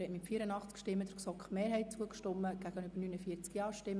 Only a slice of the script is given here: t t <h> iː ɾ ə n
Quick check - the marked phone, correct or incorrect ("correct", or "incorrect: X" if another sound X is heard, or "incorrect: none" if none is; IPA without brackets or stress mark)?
incorrect: f